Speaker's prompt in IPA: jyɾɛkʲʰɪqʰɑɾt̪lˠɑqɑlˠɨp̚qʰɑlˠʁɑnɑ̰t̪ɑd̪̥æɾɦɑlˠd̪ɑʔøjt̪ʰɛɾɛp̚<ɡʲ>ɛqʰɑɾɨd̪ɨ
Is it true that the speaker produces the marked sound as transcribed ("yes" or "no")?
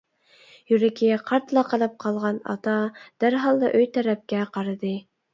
no